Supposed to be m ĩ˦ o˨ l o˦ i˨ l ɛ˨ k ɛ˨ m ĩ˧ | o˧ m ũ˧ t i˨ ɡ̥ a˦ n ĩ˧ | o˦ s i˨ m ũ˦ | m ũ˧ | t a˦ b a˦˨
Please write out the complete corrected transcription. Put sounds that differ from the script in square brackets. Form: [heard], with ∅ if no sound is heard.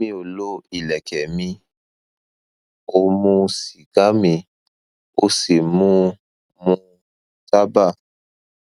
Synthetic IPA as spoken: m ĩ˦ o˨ l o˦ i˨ l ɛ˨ k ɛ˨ m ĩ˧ | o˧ m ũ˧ [s] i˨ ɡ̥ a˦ [m] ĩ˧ | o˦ s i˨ m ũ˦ | m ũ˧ | t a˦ b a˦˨